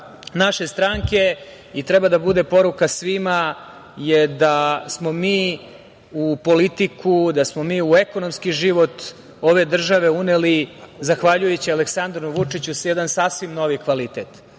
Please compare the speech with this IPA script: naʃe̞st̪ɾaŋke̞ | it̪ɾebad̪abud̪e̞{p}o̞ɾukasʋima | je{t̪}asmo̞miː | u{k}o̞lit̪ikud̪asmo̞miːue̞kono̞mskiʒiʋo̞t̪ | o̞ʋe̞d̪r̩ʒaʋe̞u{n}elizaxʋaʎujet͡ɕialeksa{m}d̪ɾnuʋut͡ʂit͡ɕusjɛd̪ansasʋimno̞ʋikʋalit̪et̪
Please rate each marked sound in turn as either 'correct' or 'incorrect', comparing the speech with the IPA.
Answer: correct, incorrect, incorrect, correct, incorrect

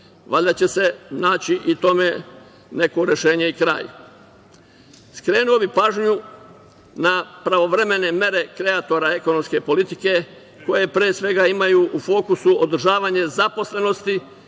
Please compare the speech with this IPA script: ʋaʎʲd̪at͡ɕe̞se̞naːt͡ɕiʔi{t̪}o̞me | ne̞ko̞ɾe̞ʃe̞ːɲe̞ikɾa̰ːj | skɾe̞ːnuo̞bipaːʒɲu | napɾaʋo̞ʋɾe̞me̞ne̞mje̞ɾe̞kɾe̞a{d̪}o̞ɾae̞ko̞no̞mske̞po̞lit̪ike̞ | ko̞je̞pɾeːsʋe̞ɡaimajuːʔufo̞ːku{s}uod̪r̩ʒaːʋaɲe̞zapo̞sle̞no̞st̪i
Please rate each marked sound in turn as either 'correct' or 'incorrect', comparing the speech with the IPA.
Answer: correct, incorrect, correct

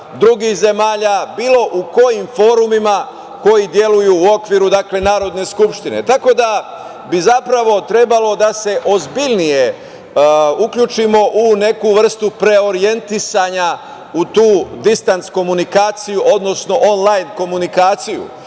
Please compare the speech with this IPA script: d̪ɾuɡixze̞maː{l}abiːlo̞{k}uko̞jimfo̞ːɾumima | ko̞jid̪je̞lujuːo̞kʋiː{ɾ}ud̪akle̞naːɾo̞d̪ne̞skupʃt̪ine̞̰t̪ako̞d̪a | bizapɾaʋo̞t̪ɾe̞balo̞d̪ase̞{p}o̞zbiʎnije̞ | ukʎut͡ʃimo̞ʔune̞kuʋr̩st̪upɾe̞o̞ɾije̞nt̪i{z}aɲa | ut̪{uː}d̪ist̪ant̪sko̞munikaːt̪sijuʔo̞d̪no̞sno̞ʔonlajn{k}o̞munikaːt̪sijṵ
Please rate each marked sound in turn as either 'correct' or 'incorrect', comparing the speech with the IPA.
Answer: incorrect, incorrect, correct, incorrect, incorrect, correct, correct

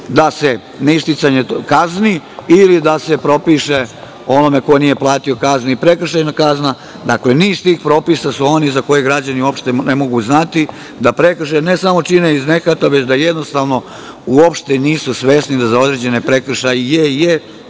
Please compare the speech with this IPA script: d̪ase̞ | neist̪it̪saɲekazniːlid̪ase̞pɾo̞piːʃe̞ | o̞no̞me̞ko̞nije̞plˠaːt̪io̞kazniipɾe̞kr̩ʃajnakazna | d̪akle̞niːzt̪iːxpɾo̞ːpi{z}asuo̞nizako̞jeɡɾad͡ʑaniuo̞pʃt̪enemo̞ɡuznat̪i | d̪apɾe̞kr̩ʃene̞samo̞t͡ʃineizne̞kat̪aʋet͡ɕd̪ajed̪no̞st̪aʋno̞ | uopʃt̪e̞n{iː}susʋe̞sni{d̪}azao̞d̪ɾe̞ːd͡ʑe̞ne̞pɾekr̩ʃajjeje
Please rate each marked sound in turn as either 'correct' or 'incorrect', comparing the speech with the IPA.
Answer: incorrect, correct, correct

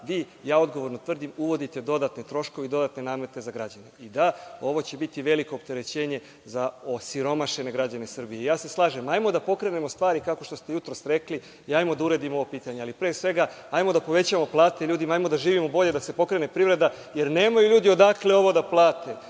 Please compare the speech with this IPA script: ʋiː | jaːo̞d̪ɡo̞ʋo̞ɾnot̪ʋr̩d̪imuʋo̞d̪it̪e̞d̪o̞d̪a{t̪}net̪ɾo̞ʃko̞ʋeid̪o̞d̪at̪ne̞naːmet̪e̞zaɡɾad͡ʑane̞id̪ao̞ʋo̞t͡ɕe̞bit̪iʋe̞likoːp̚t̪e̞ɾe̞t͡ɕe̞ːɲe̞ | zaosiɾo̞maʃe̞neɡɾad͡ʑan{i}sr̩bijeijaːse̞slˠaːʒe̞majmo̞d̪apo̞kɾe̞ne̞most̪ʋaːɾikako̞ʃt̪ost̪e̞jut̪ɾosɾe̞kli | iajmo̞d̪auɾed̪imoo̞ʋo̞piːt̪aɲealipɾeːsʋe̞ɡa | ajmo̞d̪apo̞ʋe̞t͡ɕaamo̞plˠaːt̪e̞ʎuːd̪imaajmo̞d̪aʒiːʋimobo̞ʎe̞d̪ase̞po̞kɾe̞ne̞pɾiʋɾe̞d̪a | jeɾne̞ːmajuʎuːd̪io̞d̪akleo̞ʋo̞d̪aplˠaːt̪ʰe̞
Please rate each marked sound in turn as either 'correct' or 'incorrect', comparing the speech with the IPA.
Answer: correct, incorrect

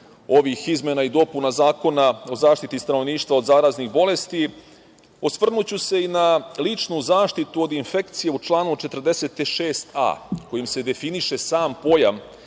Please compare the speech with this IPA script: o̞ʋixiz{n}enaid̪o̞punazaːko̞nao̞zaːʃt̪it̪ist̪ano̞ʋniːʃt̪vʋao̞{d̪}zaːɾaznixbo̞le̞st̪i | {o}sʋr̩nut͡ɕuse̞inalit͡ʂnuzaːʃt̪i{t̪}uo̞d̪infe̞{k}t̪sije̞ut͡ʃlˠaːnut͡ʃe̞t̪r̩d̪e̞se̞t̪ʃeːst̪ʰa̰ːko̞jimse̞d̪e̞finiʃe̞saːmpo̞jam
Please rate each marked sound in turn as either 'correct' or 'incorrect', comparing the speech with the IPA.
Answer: incorrect, correct, correct, correct, correct

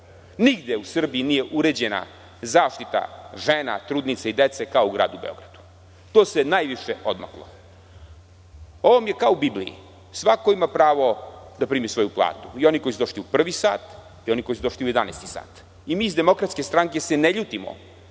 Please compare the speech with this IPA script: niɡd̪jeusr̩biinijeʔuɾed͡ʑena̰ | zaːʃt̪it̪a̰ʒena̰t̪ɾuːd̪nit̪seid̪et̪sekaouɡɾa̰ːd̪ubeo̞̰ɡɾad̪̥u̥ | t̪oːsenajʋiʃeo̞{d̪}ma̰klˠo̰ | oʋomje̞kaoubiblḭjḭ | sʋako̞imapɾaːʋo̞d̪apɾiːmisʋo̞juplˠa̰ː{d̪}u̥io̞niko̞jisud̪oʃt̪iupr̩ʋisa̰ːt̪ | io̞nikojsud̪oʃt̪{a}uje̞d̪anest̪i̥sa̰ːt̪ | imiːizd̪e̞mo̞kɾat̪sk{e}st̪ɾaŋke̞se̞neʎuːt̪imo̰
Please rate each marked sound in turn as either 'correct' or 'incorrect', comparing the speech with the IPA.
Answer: correct, incorrect, incorrect, correct

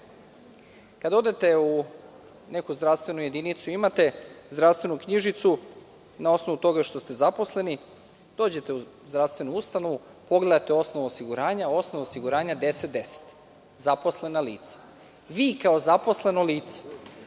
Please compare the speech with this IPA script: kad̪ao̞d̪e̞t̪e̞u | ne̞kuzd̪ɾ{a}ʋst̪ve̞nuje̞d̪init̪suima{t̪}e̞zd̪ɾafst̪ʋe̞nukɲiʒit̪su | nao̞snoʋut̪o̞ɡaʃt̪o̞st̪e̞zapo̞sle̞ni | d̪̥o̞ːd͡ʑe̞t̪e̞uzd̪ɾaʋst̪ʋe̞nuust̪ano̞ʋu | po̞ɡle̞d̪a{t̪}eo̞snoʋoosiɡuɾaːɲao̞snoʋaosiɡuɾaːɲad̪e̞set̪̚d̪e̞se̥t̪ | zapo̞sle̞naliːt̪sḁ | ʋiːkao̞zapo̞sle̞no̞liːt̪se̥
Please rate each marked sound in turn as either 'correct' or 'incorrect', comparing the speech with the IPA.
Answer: correct, correct, correct

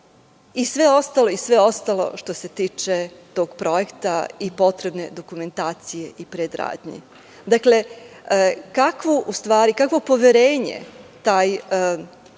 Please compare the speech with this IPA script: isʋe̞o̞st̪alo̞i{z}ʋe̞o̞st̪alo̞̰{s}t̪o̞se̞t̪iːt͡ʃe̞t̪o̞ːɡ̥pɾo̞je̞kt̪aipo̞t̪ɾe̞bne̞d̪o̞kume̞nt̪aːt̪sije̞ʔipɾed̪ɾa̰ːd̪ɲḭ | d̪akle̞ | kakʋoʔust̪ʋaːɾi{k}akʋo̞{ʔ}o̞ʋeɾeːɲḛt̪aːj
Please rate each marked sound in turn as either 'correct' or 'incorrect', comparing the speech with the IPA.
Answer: incorrect, incorrect, correct, incorrect

